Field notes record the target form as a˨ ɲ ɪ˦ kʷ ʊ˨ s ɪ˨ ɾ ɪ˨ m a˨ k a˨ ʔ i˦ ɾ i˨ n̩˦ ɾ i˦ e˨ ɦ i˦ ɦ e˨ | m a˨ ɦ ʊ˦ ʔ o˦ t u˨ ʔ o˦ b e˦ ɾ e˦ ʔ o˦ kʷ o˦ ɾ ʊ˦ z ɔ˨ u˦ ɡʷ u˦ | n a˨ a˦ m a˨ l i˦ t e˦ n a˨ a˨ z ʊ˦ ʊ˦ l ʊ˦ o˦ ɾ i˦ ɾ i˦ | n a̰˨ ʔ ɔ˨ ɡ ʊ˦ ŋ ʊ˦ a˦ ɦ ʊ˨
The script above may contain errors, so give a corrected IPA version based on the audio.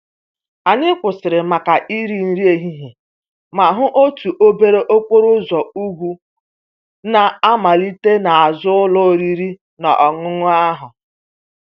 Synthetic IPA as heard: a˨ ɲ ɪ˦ kʷ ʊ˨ s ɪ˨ ɾ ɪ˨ m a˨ k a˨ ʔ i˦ ɾ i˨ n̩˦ ɾ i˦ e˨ ɦ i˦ ɦ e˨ | m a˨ ɦ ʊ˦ ʔ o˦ t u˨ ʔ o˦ b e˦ ɾ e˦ ʔ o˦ kʷ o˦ ɾ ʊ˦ z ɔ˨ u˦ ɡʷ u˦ | n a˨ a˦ m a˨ l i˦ t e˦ n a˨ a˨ z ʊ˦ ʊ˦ l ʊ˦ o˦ ɾ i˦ ɾ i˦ | n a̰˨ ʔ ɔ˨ ŋ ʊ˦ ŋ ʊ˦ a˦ ɦ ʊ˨

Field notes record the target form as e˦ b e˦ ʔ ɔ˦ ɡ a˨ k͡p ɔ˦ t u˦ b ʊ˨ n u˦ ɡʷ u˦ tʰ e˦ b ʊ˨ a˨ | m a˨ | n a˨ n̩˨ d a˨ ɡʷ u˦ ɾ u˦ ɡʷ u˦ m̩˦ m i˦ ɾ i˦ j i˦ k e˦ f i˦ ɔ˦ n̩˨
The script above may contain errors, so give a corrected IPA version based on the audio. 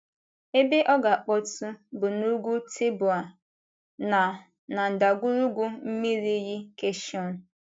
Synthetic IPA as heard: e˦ b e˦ ʔ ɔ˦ ɡ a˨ k͡p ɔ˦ t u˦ b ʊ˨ n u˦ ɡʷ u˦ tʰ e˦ b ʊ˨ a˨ | n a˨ | n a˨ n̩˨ d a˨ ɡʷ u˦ ɾ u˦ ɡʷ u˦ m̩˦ m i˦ ɾ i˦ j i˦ k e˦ ʃ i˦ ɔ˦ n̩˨

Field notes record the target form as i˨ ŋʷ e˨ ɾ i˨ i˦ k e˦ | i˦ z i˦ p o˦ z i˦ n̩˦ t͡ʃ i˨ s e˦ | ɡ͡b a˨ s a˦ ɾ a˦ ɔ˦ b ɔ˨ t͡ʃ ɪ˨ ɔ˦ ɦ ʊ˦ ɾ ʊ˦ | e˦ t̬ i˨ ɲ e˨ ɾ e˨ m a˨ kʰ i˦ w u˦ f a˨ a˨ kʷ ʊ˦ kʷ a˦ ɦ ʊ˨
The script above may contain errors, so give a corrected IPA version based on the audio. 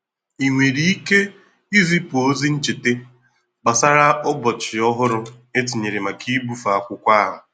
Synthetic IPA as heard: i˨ ŋʷ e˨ ɾ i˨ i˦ k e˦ | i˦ z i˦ p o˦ z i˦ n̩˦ t͡ʃ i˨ t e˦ | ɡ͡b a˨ s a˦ ɾ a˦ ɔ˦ b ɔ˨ t͡ʃ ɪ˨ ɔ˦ ɦ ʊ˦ ɾ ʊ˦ | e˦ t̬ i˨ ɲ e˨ ɾ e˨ m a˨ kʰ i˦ b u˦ f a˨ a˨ kʷ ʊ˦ kʷ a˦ ɦ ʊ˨

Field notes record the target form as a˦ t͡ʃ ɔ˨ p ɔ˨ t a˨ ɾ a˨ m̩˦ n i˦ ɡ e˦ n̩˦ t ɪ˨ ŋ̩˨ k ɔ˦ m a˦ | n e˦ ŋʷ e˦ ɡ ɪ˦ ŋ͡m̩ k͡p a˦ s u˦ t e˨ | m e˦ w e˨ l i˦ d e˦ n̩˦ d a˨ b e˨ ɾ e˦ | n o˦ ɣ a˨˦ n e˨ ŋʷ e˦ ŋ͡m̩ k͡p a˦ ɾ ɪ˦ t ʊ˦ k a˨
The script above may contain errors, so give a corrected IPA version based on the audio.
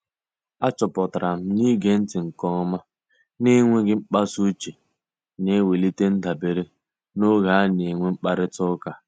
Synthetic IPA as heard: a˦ t͡ʃ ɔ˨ p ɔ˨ t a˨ ɾ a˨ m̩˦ n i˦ ɡ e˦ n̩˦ t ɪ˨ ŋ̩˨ k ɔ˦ m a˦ | n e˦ ŋʷ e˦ ɡ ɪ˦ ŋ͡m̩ k͡p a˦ s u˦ t͡ʃ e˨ | n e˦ w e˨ l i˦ t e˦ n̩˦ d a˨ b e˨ ɾ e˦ | n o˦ ɣ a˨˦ n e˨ ŋʷ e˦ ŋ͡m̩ k͡p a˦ ɾ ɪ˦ t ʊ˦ k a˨

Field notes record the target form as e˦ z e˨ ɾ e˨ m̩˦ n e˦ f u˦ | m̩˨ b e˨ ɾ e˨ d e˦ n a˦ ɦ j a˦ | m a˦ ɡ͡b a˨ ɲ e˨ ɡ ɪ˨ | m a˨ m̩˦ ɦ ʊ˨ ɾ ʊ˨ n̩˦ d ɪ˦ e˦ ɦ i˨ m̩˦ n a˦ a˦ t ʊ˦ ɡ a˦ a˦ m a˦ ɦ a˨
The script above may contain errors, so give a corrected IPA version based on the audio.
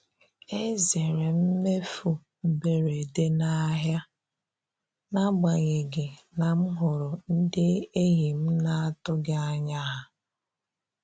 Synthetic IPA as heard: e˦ z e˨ ɾ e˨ m̩˦ m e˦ f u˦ | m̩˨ b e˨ ɾ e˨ d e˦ n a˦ ɦ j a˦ | n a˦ ɡ͡b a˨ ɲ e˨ ɡ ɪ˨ | n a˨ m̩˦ ɦ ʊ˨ ɾ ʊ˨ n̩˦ d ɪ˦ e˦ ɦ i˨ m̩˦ n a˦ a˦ t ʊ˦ ɡ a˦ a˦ ɲ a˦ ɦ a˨

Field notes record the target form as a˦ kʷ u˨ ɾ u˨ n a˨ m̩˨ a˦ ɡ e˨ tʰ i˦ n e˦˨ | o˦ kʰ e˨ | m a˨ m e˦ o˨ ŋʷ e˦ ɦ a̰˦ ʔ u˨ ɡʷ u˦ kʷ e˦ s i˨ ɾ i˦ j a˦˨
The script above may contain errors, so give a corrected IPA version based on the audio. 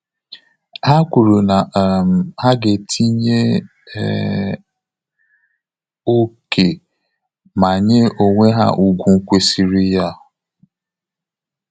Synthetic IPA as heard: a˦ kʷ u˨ ɾ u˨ n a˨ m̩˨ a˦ ɡ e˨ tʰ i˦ ɲ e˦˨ | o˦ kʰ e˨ | m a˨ ɲ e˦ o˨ ŋʷ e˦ ɦ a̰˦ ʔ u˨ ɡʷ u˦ kʷ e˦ s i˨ ɾ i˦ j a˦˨

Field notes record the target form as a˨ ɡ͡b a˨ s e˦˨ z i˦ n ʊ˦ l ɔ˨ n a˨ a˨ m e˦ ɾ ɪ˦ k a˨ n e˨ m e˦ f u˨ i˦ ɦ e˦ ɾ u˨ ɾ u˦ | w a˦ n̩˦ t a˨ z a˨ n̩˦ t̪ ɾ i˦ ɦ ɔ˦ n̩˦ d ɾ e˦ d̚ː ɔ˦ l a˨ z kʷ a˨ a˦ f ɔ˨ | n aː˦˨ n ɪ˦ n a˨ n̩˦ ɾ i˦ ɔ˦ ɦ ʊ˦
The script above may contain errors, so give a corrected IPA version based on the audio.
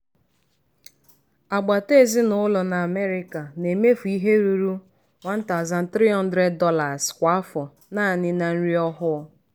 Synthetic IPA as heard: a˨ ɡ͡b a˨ t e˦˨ z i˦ n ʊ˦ l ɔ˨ n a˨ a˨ m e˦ ɾ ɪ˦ k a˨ n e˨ m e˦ f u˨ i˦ ɦ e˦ ɾ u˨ ɾ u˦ | w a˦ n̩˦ t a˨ z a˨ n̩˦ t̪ ɾ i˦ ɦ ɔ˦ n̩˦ d ɾ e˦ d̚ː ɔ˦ l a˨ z kʷ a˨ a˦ f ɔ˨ | n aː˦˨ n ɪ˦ n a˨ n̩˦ ɾ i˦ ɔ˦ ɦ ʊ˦

